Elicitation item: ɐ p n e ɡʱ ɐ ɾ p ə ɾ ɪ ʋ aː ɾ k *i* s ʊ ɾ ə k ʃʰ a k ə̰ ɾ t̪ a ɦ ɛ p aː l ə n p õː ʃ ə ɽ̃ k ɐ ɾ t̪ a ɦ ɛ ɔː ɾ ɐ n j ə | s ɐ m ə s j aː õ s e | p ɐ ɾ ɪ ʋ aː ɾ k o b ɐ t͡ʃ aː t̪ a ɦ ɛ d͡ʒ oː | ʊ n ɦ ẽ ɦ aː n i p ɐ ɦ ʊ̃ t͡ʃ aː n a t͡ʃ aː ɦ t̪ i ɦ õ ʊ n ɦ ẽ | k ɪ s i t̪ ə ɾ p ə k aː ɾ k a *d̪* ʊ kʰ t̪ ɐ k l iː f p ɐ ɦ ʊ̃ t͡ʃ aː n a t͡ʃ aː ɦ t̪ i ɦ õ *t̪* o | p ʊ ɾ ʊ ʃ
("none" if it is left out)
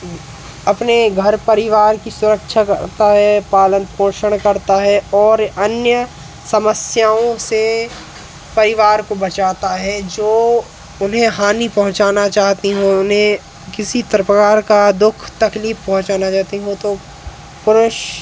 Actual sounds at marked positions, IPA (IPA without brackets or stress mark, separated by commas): i, d̪, t̪